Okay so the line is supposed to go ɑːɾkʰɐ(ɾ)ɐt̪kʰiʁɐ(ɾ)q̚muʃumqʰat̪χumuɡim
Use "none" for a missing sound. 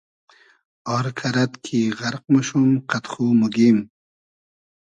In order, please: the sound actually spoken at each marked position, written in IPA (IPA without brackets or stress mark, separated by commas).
ɾ, ɾ